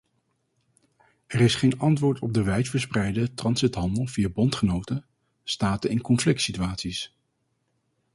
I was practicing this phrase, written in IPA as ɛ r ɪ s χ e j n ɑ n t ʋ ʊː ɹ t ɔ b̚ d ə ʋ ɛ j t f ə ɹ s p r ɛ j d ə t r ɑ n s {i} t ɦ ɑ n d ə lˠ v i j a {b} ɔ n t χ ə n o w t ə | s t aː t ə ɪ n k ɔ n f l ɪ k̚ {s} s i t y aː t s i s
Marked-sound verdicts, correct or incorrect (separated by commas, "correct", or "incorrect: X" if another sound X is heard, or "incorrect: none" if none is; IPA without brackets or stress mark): incorrect: ɪ, correct, incorrect: t